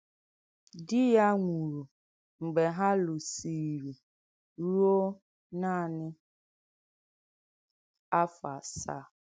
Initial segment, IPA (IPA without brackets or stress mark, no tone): d